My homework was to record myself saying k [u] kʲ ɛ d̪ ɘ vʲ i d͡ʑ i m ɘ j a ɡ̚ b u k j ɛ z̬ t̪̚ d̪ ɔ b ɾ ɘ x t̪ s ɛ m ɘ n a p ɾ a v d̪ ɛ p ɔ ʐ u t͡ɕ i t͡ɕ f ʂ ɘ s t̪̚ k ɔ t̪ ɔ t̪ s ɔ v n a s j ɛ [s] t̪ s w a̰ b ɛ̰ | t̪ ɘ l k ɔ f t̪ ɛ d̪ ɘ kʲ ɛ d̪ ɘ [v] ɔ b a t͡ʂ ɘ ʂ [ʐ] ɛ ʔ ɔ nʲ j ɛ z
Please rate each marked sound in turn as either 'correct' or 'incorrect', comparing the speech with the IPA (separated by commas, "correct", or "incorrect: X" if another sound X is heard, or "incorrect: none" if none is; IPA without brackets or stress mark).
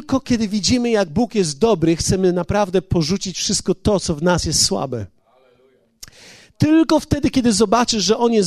incorrect: ɔ, correct, incorrect: z, correct